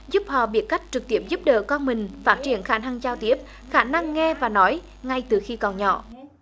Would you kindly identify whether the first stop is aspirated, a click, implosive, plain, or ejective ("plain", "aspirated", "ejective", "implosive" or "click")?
plain